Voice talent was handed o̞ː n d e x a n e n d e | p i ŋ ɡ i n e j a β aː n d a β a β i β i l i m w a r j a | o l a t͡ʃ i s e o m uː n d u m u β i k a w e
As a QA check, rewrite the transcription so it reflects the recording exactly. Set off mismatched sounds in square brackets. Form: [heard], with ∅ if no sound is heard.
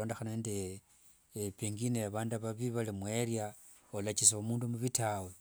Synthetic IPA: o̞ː n d e x a n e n d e | p i ŋ ɡ i n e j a β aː n d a β a β i β [a] l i m w [e] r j a | o l a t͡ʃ i s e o m uː n d u m u β i [t] a w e